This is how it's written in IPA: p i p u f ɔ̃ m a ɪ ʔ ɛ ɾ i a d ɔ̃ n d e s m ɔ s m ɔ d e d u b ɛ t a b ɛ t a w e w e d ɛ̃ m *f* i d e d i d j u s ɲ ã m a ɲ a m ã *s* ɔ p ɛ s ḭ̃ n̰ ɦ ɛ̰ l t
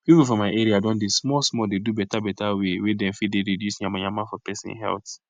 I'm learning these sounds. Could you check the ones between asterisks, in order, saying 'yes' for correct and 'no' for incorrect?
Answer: yes, no

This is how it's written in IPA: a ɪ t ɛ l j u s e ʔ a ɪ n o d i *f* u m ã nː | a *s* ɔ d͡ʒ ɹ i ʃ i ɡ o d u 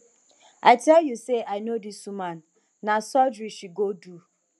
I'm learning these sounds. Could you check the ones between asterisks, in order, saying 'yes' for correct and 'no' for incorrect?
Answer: no, yes

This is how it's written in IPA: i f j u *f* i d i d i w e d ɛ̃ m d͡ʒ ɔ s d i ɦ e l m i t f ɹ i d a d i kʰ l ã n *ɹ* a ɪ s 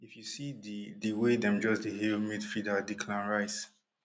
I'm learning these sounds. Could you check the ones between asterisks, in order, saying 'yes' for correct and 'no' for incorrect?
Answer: no, yes

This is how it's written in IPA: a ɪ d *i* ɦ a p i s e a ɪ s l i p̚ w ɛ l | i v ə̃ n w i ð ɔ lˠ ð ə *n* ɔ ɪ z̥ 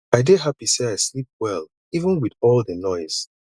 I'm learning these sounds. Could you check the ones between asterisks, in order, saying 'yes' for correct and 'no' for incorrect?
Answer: no, yes

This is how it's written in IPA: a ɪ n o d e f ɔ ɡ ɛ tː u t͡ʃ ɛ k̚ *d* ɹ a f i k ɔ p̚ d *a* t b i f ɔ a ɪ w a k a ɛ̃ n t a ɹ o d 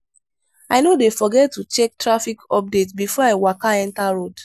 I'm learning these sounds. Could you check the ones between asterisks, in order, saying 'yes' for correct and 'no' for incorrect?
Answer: no, no

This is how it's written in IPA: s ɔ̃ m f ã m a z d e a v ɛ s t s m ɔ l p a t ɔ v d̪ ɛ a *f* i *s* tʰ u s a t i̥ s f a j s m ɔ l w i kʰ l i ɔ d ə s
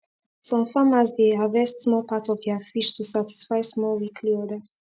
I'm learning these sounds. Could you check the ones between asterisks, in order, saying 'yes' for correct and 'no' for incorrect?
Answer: yes, no

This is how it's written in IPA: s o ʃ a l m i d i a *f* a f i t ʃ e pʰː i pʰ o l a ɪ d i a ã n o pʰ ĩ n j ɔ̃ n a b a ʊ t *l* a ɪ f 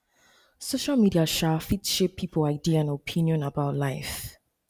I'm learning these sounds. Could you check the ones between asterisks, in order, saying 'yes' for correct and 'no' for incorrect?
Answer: no, yes

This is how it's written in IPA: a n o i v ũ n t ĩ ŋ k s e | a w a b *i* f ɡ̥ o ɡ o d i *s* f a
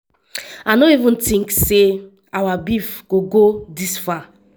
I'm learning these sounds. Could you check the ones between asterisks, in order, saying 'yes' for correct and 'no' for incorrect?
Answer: yes, yes

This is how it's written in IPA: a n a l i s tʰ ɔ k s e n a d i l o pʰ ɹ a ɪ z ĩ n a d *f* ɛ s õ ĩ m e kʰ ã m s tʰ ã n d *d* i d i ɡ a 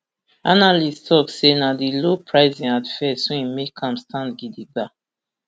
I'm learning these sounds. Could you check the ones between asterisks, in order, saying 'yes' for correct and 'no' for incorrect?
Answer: yes, no

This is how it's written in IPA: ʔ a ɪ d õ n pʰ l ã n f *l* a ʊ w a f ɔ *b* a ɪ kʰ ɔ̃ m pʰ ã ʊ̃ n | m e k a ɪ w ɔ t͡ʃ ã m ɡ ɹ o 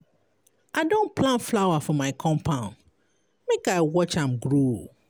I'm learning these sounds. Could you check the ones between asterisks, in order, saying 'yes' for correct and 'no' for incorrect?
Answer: yes, no

